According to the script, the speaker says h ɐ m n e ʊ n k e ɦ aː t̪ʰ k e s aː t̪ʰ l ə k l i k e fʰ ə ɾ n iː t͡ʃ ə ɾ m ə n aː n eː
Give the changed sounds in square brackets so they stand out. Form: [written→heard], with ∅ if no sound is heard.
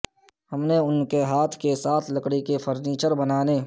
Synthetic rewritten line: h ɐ m n e ʊ n k e ɦ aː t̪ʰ k e s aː t̪ʰ l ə k [l→ɽ] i k e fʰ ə ɾ n iː t͡ʃ ə ɾ [m→b] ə n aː n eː